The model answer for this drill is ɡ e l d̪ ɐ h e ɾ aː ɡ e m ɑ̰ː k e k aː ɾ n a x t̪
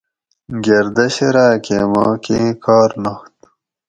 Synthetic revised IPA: ɡ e ɾ d̪ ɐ ɕ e ɾ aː k e m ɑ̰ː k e k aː ɾ n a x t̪